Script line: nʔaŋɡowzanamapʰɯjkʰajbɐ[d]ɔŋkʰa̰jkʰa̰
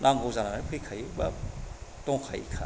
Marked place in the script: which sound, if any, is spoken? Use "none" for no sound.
t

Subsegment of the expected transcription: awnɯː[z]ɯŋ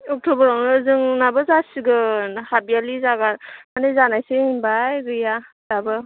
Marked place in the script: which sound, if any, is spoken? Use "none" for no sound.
z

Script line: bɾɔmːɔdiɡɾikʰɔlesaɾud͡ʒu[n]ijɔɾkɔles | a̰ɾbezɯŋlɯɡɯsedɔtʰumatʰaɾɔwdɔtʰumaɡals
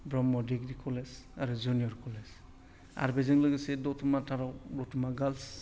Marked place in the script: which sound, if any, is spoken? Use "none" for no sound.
n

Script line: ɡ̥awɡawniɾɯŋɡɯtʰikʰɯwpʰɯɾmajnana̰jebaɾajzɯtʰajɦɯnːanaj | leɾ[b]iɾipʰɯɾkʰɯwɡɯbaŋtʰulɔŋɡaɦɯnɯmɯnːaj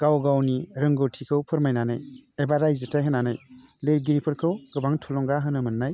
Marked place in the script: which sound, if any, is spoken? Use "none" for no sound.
ɡ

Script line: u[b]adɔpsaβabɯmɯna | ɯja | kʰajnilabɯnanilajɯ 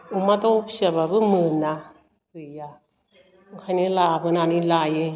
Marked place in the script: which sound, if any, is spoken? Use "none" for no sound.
m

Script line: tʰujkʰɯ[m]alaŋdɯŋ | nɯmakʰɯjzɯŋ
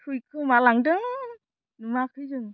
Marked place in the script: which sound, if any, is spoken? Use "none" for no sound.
m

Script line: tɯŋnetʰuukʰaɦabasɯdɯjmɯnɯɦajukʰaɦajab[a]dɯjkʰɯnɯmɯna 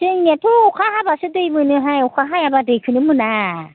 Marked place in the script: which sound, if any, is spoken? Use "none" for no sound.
a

